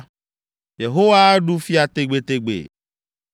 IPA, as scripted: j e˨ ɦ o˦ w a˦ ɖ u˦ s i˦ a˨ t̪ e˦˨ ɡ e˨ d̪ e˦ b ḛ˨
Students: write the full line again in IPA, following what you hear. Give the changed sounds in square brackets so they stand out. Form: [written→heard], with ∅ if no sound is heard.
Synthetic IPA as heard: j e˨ ɦ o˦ w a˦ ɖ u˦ [s→f] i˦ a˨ t̪ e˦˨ [ɡ→ɡ͡b] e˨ [d̪→t̪] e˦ [b→ɡ͡b] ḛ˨